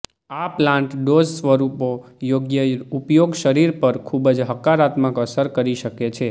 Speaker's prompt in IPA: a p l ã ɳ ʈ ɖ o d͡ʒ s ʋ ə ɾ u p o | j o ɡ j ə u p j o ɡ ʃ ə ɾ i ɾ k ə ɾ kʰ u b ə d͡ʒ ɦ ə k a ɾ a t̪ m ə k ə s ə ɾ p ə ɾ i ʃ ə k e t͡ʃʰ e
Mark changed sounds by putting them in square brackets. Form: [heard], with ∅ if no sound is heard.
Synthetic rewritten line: a p l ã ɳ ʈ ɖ o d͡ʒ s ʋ ə ɾ u p o | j o ɡ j ə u p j o ɡ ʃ ə ɾ i ɾ [p] ə ɾ kʰ u b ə d͡ʒ ɦ ə k a ɾ a t̪ m ə k ə s ə ɾ [k] ə ɾ i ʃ ə k e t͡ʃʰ e